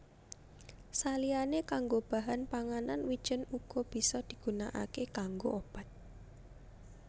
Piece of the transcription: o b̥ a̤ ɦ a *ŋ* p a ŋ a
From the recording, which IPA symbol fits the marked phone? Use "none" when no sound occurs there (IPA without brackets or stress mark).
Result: n